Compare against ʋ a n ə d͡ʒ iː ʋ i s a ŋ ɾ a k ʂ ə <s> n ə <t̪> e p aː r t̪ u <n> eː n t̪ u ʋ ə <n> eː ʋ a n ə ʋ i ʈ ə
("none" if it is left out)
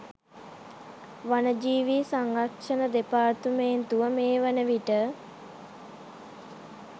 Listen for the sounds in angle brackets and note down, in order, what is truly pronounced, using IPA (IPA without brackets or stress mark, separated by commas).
none, d̪, m, m